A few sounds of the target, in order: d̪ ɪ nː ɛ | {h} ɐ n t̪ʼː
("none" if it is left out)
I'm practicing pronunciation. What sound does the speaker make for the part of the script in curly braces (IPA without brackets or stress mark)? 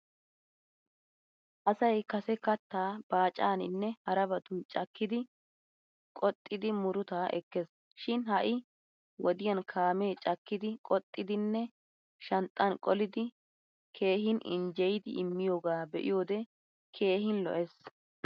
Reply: ʃ